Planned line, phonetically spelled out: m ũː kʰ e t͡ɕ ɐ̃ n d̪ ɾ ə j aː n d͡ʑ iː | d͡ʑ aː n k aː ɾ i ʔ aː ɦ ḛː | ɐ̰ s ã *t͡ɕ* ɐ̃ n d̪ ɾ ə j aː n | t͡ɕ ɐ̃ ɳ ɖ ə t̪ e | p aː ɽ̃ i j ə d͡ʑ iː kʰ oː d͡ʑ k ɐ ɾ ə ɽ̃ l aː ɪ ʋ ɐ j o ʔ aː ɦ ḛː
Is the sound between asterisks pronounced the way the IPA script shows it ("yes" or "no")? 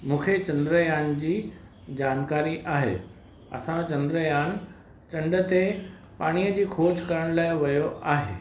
yes